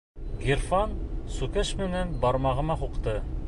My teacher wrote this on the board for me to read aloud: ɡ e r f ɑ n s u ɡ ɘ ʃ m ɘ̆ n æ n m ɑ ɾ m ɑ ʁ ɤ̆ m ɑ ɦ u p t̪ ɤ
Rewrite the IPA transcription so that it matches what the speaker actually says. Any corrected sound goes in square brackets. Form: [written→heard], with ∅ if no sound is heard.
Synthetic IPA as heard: ɡ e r f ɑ n s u [ɡ→k] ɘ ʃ m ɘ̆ n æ n [m→b] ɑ ɾ m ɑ ʁ ɤ̆ m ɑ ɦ u [p→q] t̪ ɤ

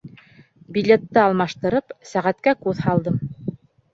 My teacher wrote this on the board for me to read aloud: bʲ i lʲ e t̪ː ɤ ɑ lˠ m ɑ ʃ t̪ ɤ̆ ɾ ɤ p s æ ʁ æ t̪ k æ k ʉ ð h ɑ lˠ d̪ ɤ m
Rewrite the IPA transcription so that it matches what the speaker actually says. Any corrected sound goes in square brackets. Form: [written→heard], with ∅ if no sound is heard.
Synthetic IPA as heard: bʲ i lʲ e t̪ː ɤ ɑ lˠ m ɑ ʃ t̪ ɤ̆ ɾ ɤ p s æ ʁ æ t̪ k æ k ʉ ð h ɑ lˠ d̪ ɤ m

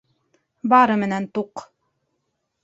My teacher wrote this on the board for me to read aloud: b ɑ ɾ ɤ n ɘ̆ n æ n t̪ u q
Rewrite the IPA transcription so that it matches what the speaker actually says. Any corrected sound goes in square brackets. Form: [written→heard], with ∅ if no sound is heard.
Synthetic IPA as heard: b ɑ ɾ ɤ [n→m] ɘ̆ n æ n t̪ u q

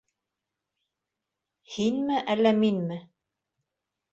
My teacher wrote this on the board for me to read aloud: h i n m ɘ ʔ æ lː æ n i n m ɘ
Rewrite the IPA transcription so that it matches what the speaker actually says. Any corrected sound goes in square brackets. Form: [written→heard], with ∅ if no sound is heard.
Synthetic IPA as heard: h i n m ɘ ʔ æ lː æ [n→m] i n m ɘ

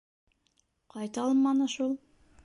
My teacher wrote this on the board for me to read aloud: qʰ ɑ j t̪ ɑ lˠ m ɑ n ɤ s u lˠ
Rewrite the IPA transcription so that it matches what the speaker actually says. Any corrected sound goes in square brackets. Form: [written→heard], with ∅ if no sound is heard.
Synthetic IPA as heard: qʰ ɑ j t̪ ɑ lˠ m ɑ n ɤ [s→ʃ] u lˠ

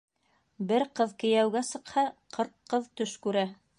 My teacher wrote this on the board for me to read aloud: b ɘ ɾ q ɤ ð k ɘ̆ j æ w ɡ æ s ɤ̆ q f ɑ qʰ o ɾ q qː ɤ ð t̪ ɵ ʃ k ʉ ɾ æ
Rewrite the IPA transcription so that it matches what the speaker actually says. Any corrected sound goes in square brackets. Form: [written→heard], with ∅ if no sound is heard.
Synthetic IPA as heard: b ɘ ɾ q ɤ ð k ɘ̆ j æ w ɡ æ s ɤ̆ q [f→h] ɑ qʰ [o→ɤ] ɾ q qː ɤ ð t̪ ɵ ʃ k ʉ ɾ æ

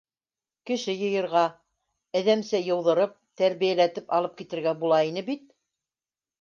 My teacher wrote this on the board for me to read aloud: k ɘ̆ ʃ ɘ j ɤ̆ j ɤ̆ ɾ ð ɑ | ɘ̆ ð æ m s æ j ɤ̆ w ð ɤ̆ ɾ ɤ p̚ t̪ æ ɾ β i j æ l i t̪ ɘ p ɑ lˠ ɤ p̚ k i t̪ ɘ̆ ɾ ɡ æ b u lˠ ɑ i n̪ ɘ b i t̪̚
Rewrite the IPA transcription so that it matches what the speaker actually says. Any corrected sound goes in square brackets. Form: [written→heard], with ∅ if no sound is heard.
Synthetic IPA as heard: k ɘ̆ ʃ ɘ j ɤ̆ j ɤ̆ ɾ [ð→ʁ] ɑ | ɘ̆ ð æ m s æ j ɤ̆ w ð ɤ̆ ɾ ɤ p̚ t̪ æ ɾ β i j æ l [i→æ] t̪ ɘ p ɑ lˠ ɤ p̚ k i t̪ ɘ̆ ɾ ɡ æ b u lˠ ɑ i n̪ ɘ b i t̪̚

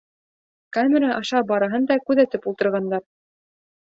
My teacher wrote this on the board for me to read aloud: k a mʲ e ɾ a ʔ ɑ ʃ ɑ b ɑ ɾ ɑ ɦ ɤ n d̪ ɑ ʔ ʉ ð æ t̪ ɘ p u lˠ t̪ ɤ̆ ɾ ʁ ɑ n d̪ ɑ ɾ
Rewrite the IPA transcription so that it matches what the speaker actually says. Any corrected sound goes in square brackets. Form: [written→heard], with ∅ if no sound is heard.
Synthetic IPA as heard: k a mʲ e ɾ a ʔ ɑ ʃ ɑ b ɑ ɾ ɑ ɦ ɤ n d̪ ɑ [ʔ→k] ʉ ð æ t̪ ɘ p u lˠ t̪ ɤ̆ ɾ ʁ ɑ n d̪ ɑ ɾ

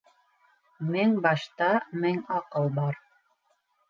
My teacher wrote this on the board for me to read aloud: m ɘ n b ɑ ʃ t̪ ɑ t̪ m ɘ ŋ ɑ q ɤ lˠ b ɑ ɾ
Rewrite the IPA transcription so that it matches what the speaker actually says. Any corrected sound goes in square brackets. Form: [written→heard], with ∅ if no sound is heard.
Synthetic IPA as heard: m ɘ [n→ŋ] b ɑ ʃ t̪ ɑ [t̪→∅] m ɘ ŋ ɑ q ɤ lˠ b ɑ ɾ

